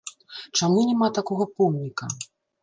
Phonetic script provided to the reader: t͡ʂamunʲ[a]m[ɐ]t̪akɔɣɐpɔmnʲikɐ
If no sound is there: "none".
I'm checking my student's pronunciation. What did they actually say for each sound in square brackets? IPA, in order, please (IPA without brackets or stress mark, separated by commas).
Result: ɛ, a